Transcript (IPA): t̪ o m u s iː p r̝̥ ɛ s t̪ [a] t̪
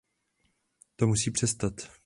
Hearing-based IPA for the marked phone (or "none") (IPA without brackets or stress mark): a